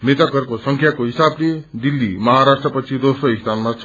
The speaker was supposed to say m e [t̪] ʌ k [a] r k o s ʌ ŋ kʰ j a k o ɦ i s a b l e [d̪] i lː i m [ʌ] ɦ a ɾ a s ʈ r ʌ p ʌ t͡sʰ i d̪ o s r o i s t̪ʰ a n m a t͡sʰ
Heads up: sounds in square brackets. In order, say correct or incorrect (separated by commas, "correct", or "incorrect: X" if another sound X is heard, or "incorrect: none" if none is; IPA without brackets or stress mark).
correct, incorrect: ʌ, correct, correct